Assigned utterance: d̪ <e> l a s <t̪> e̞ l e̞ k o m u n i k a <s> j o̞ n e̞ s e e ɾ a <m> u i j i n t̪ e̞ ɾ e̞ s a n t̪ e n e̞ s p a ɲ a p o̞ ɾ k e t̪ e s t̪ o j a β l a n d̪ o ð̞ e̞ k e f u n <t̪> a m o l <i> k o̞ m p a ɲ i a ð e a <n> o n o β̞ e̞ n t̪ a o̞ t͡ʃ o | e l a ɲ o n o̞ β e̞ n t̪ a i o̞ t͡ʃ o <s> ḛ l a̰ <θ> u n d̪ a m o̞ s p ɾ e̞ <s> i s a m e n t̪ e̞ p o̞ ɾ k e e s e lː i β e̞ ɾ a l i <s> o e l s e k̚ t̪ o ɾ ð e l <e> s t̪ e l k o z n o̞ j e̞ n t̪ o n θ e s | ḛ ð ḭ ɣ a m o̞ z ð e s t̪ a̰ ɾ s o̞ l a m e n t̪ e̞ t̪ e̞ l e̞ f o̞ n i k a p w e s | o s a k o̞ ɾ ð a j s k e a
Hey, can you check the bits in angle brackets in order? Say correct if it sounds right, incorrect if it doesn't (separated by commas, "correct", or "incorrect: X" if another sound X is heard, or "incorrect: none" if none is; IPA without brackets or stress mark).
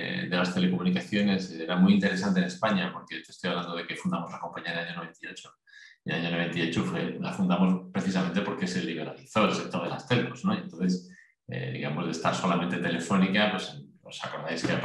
correct, correct, incorrect: θ, correct, incorrect: d̪, incorrect: a, incorrect: ɲ, incorrect: f, incorrect: f, incorrect: θ, incorrect: θ, incorrect: a